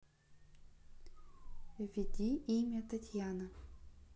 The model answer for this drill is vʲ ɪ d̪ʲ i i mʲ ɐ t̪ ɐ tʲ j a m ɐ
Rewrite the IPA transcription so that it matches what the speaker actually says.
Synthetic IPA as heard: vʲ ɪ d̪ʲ i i mʲ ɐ t̪ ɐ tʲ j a n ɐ